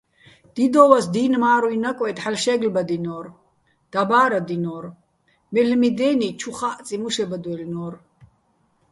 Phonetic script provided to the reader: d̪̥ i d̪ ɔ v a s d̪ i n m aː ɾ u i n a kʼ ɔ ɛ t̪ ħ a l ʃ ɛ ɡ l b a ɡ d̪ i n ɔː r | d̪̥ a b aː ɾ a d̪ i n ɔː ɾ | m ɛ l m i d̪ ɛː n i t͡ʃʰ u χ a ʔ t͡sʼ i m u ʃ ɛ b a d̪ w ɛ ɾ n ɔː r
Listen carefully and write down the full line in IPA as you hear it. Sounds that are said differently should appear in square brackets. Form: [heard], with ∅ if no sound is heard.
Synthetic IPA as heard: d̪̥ i d̪ ɔ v a s d̪ i n m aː ɾ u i n a kʼ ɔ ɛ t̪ ħ a l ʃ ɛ ɡ l b a [∅] d̪ i n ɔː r | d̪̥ a b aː ɾ a d̪ i n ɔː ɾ | m ɛ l m i d̪ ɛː n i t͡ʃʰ u χ a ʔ t͡sʼ i m u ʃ ɛ b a d̪ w ɛ [l] n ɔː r